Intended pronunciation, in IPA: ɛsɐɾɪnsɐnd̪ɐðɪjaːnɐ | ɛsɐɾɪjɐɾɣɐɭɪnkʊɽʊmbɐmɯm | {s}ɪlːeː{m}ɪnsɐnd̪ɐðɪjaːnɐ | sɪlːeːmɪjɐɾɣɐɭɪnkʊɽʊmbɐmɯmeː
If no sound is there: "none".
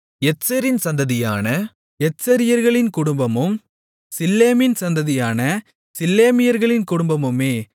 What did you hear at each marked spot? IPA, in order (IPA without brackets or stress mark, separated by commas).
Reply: s, m